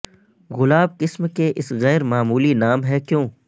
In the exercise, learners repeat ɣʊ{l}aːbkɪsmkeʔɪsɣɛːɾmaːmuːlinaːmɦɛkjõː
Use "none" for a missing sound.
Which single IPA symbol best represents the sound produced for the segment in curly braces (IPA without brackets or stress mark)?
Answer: l